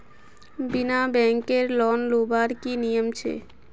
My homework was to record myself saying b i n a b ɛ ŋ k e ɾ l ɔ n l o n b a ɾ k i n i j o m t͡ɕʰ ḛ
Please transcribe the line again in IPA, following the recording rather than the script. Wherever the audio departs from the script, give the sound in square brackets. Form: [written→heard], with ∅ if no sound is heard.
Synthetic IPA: b i n a b ɛ ŋ k e ɾ l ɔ n l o [n→∅] b a ɾ k i n i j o m t͡ɕʰ ḛ